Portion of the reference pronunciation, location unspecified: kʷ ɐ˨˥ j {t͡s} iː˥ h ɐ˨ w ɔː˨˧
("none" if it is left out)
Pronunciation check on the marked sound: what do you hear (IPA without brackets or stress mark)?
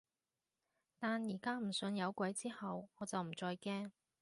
t͡s